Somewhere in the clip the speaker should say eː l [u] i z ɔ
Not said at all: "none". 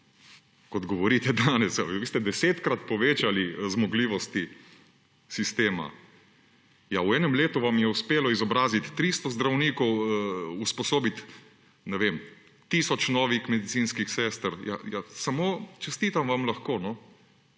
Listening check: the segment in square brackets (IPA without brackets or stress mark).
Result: ɔ